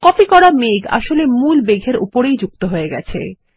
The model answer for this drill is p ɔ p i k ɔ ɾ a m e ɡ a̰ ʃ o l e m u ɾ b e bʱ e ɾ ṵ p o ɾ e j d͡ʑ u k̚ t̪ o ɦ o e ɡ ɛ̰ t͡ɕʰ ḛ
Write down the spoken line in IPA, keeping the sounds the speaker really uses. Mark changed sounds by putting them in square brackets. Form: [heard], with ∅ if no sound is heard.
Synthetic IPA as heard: [k] ɔ p i k ɔ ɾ a m e ɡ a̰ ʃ o l e m u [l] b e [ɡʱ] e ɾ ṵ p o ɾ e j d͡ʑ u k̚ t̪ o ɦ o e ɡ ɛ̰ t͡ɕʰ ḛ